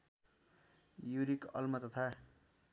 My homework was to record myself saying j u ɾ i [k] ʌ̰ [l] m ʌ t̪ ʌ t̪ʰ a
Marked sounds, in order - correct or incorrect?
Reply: correct, correct

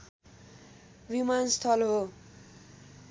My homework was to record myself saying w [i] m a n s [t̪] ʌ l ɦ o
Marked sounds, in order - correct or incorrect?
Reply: correct, incorrect: t̪ʰ

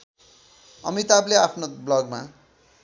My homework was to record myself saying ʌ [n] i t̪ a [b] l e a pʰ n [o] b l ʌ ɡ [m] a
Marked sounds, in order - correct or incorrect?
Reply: incorrect: m, correct, correct, correct

